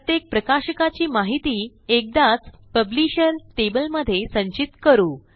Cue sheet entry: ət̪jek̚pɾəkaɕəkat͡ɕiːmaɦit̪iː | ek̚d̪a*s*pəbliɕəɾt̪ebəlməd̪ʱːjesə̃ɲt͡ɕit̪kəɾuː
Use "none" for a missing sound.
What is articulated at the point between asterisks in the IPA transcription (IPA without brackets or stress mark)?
t͡s